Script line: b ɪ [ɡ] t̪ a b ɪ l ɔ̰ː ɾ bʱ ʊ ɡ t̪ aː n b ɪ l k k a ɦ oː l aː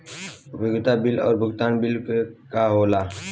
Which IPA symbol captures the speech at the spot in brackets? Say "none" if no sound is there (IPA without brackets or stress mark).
ɡ